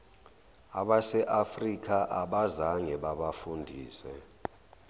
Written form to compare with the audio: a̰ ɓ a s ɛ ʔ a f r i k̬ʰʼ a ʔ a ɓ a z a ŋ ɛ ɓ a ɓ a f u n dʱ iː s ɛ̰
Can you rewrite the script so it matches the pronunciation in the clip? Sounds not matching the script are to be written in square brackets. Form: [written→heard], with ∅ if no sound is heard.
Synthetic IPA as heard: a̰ ɓ a s ɛ ʔ a f r i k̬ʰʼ a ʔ a ɓ a z a ŋ ɛ ɓ a ɓ a f u n dʱ iː s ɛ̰

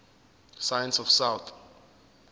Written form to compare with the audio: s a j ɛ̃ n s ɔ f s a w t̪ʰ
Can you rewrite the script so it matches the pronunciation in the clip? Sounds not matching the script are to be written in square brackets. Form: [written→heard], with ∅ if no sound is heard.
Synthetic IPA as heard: s a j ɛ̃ n s ɔ f s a w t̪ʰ

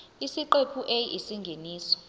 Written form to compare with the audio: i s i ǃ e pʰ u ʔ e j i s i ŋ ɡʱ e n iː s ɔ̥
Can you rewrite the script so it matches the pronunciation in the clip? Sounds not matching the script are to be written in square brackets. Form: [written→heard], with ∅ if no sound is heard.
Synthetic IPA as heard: i s i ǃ e pʰ u ʔ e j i s i ŋ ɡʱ e n iː s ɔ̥

